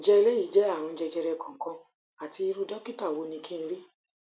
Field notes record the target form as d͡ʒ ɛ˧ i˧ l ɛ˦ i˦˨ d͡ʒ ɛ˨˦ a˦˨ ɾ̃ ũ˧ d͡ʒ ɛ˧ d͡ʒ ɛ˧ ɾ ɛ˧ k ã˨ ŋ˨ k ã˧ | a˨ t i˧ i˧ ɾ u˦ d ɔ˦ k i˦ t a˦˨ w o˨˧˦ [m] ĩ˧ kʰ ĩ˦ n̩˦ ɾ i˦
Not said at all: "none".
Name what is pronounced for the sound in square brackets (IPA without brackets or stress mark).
n